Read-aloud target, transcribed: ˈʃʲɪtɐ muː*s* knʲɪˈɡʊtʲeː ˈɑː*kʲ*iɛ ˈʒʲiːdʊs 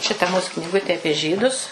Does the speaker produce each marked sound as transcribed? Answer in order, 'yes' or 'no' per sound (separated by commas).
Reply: yes, no